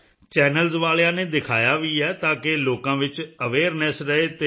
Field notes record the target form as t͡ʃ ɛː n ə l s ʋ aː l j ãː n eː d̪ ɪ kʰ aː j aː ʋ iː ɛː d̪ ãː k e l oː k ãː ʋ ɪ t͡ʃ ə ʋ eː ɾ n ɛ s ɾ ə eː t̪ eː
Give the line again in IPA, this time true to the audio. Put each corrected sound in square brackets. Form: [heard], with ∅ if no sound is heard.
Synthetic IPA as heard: t͡ʃ ɛː n ə l [z] ʋ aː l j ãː n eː d̪ ɪ kʰ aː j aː ʋ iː ɛː [t̪] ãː k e l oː k ãː ʋ ɪ t͡ʃ ə ʋ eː ɾ n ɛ s ɾ ə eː t̪ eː